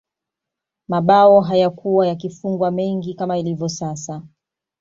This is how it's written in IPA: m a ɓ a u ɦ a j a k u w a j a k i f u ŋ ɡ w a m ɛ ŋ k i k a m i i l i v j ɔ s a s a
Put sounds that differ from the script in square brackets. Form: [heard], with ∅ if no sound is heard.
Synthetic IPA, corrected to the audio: m a ɓ a [ɔ] ɦ a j a k u w a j a k i f u ŋ ɡ w a m ɛ ŋ [ɡ] i k a m [a] i l i v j ɔ s a s a